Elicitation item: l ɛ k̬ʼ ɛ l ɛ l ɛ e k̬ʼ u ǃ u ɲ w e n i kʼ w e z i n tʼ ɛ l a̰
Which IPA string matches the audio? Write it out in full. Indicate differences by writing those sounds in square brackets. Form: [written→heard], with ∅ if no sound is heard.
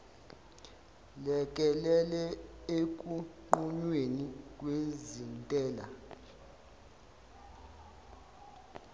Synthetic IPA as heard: l ɛ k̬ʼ ɛ l ɛ l ɛ e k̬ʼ u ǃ u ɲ w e n i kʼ w e z i n tʼ [ɛ→ɛː] l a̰